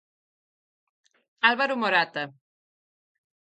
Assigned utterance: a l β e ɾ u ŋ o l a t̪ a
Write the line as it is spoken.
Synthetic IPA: a l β a ɾ u m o ɾ a t̪ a